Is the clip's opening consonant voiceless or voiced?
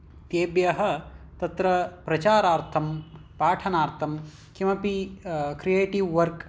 voiceless